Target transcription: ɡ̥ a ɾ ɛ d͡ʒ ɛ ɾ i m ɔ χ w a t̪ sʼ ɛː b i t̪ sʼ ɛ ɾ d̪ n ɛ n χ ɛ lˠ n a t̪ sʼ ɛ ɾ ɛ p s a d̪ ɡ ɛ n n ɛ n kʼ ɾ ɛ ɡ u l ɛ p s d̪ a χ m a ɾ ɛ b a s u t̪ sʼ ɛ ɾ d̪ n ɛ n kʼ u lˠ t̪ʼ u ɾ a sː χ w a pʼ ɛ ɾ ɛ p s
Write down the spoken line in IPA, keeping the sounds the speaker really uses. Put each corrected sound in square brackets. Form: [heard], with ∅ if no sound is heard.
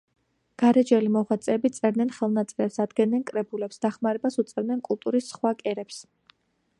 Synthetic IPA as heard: ɡ̥ a ɾ ɛ d͡ʒ ɛ [l] i m ɔ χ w a t̪ sʼ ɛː b i t̪ sʼ ɛ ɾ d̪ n ɛ n χ ɛ lˠ n a t̪ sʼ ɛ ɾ ɛ p s a d̪ ɡ ɛ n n ɛ n kʼ ɾ ɛ [b] u l ɛ p s d̪ a χ m a ɾ ɛ b a s u t̪ sʼ ɛ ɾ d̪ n ɛ n kʼ u lˠ t̪ʼ u ɾ [i] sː χ w a [kʼ] ɛ ɾ ɛ p s